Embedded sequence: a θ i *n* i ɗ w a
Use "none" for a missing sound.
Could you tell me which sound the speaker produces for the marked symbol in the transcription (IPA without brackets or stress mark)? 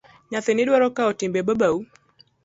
n